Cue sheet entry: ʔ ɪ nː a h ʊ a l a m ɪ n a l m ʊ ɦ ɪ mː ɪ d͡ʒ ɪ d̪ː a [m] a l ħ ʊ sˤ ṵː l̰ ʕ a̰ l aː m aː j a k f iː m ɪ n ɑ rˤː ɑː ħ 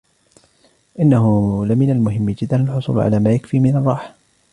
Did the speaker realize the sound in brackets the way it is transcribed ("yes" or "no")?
no